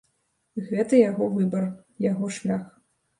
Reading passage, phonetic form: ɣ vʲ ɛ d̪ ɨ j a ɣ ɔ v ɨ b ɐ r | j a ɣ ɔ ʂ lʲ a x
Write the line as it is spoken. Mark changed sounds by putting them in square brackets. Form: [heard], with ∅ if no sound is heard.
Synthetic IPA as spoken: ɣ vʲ ɛ [t̪] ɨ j a ɣ ɔ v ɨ b ɐ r | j a ɣ ɔ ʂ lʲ a x